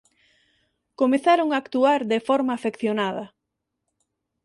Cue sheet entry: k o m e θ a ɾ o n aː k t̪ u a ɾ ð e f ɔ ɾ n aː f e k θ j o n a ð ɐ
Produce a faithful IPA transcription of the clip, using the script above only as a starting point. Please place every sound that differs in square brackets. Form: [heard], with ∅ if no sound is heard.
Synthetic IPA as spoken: k o m e θ a ɾ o [ŋ] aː k t̪ u a ɾ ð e f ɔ ɾ [m] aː f e k θ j o n a ð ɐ